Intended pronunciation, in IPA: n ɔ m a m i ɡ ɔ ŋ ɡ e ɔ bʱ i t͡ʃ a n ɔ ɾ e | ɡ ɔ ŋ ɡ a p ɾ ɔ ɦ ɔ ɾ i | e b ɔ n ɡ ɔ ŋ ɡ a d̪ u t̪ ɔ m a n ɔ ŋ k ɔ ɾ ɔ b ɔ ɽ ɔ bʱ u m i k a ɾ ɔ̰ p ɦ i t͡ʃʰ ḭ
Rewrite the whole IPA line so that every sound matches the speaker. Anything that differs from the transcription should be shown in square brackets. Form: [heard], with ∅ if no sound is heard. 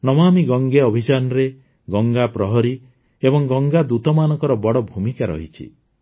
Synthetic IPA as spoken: n ɔ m a m i ɡ ɔ ŋ ɡ e ɔ bʱ i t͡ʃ a n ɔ ɾ e | ɡ ɔ ŋ ɡ a p ɾ ɔ ɦ ɔ ɾ i | e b ɔ [ŋ] ɡ ɔ ŋ ɡ a d̪ u t̪ ɔ m a n ɔ ŋ k ɔ ɾ ɔ b ɔ ɽ ɔ bʱ u m i k a ɾ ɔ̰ [∅] ɦ i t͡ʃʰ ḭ